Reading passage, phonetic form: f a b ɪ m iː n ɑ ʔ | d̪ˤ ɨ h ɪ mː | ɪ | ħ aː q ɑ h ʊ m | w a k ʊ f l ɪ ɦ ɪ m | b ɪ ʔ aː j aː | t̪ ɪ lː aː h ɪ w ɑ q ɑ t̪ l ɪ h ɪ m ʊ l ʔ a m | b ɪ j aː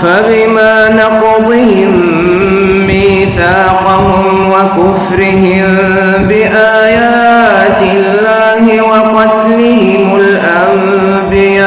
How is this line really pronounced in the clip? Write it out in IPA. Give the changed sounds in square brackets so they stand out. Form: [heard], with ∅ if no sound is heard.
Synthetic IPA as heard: f a b ɪ m [aː] n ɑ [q] | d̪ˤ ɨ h ɪ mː | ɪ | [θ] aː q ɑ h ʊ m | w a k ʊ f [ɾ] ɪ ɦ ɪ m | b ɪ ʔ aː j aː | t̪ ɪ lː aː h ɪ w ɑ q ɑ t̪ l ɪ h ɪ m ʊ l ʔ a m | b ɪ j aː